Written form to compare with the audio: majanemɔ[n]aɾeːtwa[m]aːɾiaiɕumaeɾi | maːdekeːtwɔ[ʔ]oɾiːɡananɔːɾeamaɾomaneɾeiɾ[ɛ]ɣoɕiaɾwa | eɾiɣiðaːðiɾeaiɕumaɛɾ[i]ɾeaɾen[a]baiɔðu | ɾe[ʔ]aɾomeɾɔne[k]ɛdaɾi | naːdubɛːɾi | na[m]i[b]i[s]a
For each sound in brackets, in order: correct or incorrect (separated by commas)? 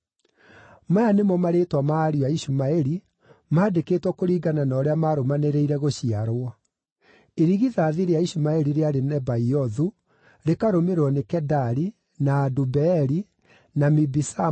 incorrect, correct, incorrect, correct, correct, incorrect, incorrect, correct, correct, correct, correct